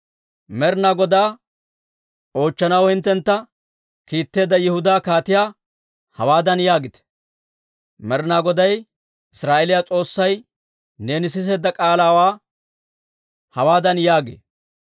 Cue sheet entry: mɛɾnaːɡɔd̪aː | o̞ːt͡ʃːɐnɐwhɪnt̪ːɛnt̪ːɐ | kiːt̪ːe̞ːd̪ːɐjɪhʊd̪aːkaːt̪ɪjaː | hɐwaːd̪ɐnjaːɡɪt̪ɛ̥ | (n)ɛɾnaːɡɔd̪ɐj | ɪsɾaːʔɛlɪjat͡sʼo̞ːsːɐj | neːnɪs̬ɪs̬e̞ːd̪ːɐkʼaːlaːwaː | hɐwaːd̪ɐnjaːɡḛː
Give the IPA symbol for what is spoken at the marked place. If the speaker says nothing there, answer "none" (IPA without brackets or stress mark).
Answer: m